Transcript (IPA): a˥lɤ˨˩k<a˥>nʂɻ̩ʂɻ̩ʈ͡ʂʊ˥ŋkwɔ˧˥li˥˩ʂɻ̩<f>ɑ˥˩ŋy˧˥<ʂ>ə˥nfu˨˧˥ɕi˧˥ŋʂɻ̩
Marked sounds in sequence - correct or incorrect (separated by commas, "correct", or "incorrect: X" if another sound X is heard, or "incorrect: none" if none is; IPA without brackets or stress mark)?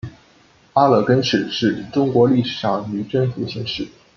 incorrect: ə˥, incorrect: ʂ, incorrect: ʈ͡ʂ